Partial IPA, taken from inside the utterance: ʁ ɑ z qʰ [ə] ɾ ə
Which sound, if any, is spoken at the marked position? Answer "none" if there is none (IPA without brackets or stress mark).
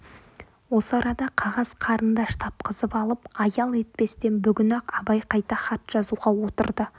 ɑ